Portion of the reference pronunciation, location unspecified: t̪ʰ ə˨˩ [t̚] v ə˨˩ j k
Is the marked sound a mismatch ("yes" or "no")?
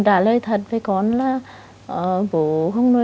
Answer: no